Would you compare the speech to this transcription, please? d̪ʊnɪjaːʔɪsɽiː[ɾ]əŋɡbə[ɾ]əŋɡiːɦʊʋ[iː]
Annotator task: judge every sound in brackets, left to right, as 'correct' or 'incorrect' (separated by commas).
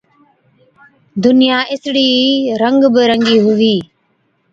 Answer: correct, correct, correct